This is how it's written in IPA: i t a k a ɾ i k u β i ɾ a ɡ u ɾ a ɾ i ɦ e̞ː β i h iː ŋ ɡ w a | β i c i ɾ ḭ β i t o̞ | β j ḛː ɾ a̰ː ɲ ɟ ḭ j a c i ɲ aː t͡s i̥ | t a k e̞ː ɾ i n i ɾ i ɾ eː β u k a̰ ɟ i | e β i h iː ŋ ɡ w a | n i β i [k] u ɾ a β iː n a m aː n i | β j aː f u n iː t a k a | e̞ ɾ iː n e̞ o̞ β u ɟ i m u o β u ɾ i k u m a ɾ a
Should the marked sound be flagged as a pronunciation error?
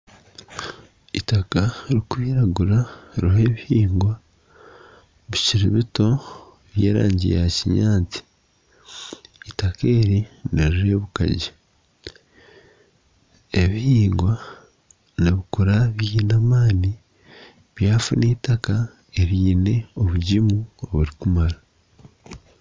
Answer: no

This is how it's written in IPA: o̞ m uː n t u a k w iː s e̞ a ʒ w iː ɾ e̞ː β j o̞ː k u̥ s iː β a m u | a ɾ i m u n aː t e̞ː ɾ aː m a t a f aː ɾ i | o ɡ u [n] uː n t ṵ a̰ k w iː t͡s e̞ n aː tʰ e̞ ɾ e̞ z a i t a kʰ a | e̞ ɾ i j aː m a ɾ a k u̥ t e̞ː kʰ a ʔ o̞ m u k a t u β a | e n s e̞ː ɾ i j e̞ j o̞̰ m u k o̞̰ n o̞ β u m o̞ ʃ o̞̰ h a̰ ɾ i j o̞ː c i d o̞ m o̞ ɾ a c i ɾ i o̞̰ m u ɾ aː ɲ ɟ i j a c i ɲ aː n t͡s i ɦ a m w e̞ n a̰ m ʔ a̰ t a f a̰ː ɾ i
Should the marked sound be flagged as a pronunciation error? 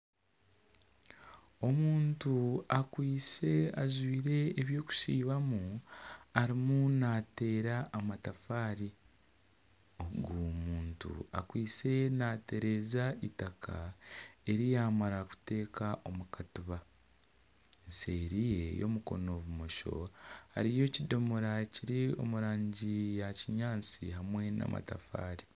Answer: yes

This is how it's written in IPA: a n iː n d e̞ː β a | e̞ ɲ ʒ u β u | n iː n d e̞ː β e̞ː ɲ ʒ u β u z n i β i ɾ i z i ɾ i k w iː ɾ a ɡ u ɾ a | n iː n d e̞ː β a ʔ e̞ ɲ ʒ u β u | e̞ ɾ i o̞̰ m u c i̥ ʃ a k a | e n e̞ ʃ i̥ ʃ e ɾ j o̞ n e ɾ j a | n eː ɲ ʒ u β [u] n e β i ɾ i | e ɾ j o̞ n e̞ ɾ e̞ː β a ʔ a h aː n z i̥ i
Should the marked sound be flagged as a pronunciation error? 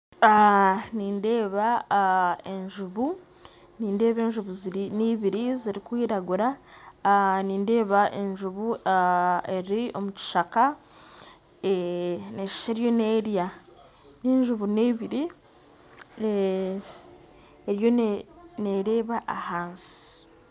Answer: no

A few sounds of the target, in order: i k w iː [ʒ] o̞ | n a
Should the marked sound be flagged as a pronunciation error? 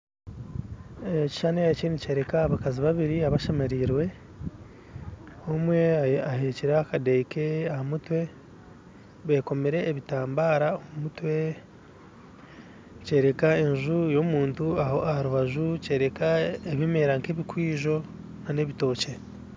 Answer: no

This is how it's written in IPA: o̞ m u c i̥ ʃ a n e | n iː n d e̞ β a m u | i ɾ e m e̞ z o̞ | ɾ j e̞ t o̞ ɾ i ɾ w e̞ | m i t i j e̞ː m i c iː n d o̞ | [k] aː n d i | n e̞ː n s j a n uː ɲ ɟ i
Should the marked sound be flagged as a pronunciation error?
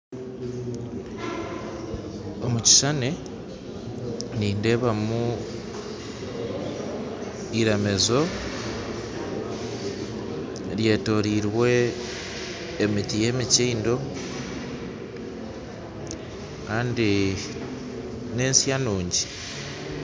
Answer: no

